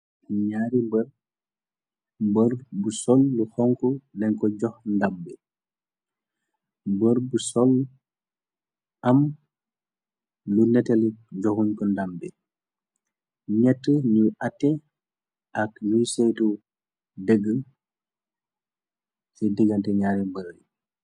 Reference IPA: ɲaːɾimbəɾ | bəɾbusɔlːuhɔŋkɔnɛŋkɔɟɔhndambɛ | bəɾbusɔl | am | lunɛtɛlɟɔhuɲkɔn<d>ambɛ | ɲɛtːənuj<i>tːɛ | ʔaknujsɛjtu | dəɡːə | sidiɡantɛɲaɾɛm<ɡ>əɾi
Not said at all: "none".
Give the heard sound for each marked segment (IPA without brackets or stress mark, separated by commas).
d, a, b